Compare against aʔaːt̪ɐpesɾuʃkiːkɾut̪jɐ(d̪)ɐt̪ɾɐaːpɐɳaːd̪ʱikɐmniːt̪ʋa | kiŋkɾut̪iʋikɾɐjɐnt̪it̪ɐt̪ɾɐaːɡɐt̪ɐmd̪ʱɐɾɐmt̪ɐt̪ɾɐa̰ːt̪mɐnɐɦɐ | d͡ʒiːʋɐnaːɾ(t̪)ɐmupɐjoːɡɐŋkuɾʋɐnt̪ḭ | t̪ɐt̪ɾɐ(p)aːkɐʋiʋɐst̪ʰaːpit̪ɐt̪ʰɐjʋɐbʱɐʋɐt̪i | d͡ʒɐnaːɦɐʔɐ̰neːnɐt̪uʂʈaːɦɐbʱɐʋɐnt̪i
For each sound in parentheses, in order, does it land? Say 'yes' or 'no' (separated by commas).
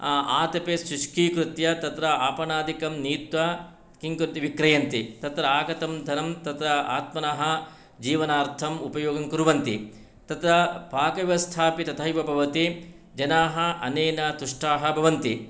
no, no, yes